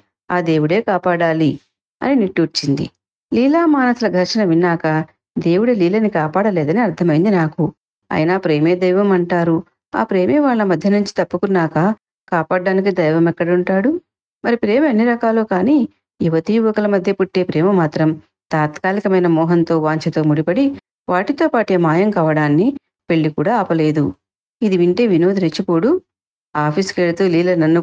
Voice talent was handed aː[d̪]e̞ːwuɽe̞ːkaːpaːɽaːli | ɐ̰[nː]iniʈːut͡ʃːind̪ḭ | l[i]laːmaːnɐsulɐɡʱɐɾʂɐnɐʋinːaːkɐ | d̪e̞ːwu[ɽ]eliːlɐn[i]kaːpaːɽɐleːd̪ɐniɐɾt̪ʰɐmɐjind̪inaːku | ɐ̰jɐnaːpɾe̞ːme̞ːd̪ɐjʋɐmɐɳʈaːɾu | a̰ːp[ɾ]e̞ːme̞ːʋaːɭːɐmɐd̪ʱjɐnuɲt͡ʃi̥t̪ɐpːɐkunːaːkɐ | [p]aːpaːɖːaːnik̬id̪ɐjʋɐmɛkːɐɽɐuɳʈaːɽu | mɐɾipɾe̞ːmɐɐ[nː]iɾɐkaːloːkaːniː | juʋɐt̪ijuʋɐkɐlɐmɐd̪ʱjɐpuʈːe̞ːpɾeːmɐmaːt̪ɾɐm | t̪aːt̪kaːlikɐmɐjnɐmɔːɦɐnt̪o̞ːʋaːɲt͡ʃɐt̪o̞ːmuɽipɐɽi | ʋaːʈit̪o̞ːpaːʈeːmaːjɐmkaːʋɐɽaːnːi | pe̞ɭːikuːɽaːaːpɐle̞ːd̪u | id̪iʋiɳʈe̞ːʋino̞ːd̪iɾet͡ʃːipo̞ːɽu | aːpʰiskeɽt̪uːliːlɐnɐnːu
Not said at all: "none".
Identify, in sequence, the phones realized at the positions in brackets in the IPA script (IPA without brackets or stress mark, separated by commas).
d̪, n, iː, ɽ, i, ɾ, k, nː